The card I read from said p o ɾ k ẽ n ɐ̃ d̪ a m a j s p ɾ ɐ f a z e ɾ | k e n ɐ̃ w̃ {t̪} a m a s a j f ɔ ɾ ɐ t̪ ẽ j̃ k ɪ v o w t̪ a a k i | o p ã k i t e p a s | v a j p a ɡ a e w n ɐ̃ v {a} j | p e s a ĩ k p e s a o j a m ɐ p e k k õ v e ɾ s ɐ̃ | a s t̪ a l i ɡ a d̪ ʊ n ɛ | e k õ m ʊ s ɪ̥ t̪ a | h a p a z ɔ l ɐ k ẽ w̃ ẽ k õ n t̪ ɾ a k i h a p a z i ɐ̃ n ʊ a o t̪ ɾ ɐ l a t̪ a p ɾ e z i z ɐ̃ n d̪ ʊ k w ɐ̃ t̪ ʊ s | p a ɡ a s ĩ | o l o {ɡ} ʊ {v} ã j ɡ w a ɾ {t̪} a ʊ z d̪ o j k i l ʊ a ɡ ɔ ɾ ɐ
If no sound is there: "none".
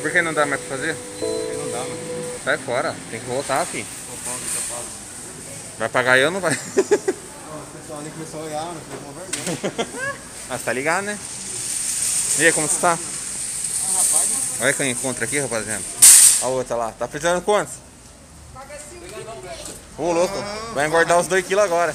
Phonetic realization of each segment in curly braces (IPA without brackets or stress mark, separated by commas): d̪, a, k, v, d̪